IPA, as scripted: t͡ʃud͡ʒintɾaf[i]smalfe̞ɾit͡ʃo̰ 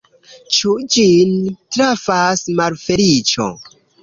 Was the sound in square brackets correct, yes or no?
no